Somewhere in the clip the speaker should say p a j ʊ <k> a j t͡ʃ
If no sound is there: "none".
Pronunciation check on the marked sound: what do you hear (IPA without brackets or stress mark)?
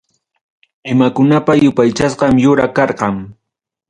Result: p